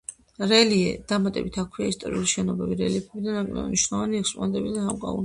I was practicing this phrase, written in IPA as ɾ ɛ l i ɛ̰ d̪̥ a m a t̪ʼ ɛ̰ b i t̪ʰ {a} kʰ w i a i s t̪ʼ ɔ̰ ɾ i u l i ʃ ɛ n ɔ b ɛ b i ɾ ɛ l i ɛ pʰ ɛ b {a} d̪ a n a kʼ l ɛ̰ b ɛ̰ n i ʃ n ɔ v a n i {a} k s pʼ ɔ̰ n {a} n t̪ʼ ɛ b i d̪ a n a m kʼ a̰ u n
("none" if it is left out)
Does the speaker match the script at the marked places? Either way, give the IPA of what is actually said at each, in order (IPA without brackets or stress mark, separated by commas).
a, i, ɛ, ɛ